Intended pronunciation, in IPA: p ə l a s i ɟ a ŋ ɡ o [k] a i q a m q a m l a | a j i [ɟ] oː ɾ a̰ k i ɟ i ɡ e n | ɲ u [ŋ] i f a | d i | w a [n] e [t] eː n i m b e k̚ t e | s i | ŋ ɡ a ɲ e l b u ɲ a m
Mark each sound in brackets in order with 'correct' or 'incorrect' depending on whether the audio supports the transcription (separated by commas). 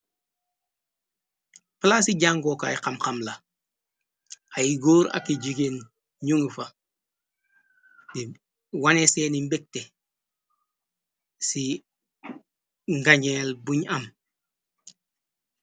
correct, incorrect, correct, correct, incorrect